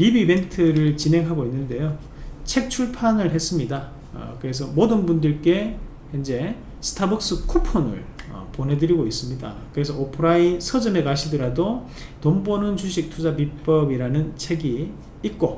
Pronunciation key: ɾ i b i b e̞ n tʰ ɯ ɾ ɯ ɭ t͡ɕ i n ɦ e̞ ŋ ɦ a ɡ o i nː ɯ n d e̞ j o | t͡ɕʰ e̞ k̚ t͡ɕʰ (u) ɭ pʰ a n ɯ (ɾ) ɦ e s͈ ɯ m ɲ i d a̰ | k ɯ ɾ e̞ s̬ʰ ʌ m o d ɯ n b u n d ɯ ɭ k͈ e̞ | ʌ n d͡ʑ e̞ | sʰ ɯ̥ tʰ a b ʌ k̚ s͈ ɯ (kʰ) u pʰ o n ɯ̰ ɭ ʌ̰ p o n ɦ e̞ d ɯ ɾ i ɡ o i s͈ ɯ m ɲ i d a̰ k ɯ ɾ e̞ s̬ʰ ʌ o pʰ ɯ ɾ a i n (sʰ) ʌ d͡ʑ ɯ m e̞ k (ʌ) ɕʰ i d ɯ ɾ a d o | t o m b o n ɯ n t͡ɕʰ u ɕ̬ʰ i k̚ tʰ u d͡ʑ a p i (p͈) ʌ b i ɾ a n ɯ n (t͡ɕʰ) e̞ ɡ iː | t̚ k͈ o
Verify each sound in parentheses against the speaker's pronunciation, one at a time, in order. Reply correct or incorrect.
correct, incorrect, correct, correct, incorrect, correct, correct

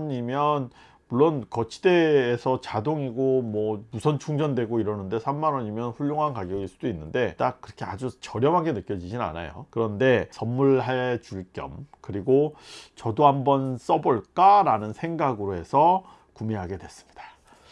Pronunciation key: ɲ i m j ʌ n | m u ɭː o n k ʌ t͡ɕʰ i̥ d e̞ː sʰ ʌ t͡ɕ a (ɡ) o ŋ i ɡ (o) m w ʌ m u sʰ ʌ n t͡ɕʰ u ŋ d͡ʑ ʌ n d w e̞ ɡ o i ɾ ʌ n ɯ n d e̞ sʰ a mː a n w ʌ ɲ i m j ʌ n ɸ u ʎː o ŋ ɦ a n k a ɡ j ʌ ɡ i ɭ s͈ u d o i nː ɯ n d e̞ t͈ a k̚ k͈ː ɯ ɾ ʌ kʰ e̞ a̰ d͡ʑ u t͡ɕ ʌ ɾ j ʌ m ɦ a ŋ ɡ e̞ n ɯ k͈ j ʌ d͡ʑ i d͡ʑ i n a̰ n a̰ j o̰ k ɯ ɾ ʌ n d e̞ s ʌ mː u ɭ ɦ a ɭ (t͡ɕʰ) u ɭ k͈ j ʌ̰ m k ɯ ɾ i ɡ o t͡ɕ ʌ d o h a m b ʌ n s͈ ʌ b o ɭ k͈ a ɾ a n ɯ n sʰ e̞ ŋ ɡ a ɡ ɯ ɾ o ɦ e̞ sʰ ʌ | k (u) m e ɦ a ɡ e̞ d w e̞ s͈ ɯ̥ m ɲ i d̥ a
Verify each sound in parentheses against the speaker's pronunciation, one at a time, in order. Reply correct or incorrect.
incorrect, correct, incorrect, correct

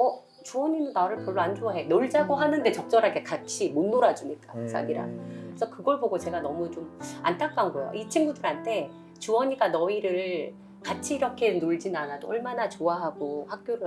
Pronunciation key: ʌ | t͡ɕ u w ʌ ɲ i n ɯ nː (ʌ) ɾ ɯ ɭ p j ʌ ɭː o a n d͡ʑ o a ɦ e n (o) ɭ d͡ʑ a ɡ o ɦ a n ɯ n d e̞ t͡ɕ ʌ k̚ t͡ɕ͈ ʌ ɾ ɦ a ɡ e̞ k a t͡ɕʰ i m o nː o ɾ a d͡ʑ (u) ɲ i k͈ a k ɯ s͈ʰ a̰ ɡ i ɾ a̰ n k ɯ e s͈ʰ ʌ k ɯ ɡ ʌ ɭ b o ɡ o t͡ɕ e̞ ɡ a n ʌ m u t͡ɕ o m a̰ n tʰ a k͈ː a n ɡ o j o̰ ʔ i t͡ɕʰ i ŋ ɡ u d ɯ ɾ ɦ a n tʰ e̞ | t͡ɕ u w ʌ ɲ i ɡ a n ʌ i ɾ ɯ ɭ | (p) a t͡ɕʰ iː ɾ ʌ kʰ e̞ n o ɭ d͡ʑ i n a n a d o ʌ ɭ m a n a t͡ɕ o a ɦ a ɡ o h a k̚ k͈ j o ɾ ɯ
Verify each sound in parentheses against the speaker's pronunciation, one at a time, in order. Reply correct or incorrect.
incorrect, correct, correct, incorrect

